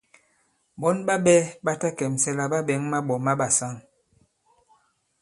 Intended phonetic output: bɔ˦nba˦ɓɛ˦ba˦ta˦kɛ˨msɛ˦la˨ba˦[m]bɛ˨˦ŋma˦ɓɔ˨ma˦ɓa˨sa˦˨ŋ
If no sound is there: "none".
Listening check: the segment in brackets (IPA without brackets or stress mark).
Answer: none